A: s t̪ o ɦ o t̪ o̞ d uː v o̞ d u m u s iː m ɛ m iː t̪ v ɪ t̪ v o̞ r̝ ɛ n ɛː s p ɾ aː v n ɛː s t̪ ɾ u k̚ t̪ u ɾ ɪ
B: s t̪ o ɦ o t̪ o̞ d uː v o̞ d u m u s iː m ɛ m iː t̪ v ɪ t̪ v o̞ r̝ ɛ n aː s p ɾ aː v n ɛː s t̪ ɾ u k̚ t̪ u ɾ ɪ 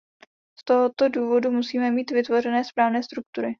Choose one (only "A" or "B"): A